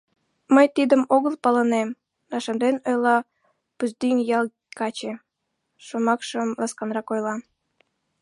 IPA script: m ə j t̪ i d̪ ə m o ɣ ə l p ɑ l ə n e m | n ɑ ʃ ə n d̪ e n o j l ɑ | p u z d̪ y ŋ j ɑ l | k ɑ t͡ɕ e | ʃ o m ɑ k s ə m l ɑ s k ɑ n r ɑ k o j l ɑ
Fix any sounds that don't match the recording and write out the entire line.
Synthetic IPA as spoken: m ə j t̪ i d̪ ə m o ɣ ə l p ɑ l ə n e m | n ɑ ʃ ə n d̪ e n o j l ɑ | p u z d̪ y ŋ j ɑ l | k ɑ t͡ɕ e | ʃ o m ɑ k ʃ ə m l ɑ s k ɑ n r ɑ k o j l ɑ